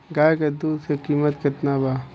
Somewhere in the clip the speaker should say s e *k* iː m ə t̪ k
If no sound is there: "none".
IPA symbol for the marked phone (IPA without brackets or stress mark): k